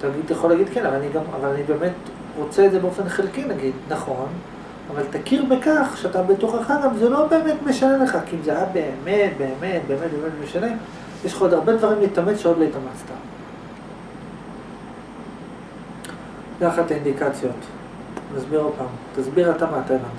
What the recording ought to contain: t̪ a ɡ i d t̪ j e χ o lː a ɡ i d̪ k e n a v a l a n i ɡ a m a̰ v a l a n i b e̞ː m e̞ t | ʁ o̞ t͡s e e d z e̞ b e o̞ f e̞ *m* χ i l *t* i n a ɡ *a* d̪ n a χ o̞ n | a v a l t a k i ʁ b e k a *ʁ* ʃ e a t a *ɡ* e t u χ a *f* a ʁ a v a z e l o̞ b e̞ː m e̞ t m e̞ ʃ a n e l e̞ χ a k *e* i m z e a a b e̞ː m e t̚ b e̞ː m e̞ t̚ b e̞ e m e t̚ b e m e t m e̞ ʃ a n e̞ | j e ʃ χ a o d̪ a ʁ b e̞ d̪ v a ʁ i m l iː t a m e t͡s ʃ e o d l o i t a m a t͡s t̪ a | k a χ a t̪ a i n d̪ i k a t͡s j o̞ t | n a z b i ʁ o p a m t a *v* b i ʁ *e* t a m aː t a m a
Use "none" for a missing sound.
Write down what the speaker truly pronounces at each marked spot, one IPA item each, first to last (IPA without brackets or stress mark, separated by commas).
n, k, i, χ, b, χ, i, z, a